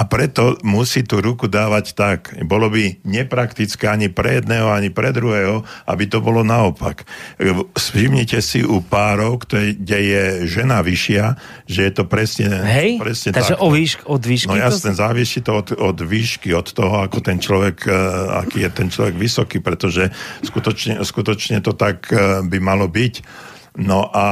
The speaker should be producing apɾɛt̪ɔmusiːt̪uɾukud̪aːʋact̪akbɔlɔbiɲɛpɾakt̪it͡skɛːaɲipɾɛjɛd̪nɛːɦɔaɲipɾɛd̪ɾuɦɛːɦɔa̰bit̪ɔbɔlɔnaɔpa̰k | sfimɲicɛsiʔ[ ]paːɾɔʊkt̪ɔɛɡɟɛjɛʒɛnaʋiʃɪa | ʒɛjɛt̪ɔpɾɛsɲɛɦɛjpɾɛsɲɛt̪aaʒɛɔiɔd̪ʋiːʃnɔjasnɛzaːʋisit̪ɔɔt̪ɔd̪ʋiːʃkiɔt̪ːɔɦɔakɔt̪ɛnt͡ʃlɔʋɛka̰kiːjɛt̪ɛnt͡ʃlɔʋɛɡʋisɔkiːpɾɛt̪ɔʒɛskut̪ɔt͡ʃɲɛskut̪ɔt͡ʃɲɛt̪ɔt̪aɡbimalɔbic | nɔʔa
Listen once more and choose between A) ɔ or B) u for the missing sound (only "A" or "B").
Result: B